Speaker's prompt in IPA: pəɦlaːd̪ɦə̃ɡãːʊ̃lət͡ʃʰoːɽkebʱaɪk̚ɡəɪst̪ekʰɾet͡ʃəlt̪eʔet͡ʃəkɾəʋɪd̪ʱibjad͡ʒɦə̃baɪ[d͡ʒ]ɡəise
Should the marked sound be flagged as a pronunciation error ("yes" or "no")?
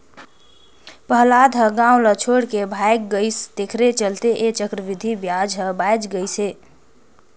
no